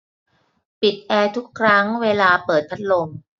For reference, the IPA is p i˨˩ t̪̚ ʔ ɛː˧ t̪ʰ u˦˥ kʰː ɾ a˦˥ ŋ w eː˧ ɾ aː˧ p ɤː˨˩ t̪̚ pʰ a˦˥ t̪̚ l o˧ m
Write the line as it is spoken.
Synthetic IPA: p i˨˩ t̪̚ ʔ ɛː˧ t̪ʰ u˦˥ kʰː ɾ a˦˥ ŋ w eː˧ l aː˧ p ɤː˨˩ t̪̚ pʰ a˦˥ t̪̚ l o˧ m